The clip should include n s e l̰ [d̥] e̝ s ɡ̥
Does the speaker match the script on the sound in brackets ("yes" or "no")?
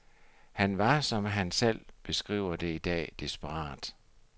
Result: no